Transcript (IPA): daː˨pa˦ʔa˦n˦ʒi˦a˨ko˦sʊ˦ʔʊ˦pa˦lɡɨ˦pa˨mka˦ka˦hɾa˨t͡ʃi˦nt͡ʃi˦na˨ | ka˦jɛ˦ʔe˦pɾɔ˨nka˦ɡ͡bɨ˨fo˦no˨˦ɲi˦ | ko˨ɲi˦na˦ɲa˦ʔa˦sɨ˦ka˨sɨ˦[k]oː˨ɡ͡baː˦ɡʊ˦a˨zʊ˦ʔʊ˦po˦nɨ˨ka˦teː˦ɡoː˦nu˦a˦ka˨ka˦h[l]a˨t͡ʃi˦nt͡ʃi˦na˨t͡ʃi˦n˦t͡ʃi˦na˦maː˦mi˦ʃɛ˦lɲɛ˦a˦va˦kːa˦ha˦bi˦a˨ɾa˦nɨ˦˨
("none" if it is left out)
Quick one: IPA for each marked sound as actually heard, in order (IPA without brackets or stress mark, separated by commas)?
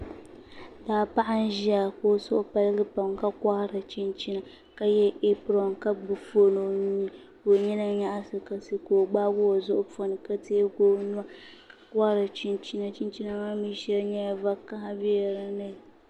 k, ɾ